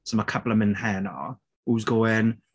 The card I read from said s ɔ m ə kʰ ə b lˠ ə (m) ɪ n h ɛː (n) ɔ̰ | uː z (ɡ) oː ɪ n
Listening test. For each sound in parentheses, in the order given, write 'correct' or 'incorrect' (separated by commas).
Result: correct, correct, correct